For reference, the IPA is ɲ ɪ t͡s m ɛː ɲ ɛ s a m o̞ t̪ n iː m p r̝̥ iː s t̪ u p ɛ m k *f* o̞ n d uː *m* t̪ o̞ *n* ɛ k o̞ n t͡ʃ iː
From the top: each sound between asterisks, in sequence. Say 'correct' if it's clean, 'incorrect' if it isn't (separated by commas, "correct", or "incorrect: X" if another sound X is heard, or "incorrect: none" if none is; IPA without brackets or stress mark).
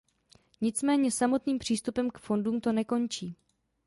correct, correct, correct